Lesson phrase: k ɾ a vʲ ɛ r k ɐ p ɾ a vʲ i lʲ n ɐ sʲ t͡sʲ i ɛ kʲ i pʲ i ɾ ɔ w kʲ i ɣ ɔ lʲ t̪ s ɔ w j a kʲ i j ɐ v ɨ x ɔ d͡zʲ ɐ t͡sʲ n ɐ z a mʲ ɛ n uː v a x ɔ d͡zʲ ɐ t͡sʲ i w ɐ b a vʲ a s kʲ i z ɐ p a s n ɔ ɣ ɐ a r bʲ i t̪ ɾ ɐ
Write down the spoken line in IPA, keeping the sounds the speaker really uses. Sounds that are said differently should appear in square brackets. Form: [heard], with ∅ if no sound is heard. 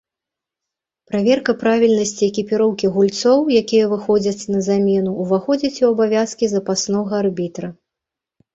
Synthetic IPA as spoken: [p] ɾ a vʲ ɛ r k ɐ p ɾ a vʲ i lʲ n ɐ sʲ t͡sʲ i ɛ kʲ i pʲ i ɾ ɔ w kʲ i ɣ [u] lʲ t̪ s ɔ w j a kʲ i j ɐ v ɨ x ɔ d͡zʲ ɐ t͡sʲ n ɐ z a mʲ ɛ n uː v a x ɔ d͡zʲ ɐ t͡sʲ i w ɐ b a vʲ a s kʲ i z ɐ p a s n ɔ ɣ ɐ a r bʲ i t̪ ɾ ɐ